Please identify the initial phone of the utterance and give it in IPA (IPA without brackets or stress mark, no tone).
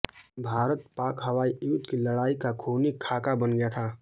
bʱ